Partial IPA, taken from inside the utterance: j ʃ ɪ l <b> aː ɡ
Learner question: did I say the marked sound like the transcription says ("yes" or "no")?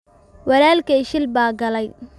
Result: yes